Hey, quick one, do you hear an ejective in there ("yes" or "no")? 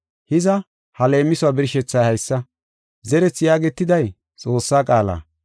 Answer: yes